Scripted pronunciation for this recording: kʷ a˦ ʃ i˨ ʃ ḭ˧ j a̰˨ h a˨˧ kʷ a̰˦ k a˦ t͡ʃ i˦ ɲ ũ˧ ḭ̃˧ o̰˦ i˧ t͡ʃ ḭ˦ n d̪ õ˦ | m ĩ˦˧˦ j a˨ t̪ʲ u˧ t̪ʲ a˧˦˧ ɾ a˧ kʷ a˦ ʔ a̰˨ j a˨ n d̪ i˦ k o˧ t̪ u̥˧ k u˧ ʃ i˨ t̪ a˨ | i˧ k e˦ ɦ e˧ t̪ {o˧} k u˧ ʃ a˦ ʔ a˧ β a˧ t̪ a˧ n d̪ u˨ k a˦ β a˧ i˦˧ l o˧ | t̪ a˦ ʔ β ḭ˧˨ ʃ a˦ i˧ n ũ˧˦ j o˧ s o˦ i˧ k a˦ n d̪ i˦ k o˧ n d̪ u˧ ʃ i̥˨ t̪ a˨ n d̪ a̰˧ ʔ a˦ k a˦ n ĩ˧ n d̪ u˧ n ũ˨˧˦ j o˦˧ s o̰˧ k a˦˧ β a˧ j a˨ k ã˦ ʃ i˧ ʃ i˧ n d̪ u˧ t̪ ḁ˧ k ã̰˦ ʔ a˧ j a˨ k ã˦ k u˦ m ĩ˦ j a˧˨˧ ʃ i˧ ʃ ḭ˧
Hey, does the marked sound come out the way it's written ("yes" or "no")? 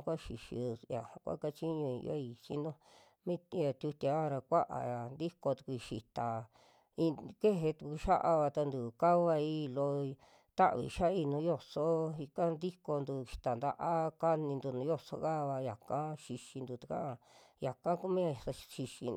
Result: no